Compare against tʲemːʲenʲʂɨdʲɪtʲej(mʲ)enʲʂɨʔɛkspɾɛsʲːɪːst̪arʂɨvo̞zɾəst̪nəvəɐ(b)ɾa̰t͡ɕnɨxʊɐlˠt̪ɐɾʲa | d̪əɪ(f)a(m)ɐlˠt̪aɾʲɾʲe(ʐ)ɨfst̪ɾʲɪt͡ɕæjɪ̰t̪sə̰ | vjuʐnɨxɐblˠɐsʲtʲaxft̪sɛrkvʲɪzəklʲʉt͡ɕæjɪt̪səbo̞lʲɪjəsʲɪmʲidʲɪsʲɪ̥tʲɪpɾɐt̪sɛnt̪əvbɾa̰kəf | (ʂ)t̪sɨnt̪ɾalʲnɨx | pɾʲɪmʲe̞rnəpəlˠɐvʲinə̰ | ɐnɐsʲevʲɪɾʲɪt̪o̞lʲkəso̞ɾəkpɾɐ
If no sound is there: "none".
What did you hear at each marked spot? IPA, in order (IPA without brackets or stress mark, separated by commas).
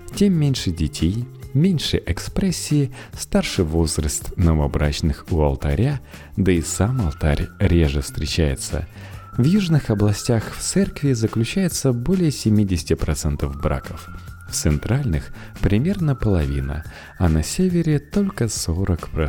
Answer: mʲ, b, s, m, ʐ, f